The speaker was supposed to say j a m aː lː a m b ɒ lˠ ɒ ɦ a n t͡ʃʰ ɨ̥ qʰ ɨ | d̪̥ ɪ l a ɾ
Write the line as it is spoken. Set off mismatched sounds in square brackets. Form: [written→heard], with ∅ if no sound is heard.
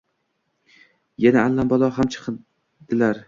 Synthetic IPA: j a [m→n] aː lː a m b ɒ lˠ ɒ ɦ a [n→m] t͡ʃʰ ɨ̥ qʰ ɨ | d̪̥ ɪ l a ɾ